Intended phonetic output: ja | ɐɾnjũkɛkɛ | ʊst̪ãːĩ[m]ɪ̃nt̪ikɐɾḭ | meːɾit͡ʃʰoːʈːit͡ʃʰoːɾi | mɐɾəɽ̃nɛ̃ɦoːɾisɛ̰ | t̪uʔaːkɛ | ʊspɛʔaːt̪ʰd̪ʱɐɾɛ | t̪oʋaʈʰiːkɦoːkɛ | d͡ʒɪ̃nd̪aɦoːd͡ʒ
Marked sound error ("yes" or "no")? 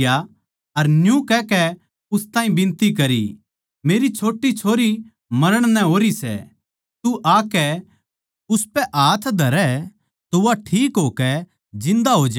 yes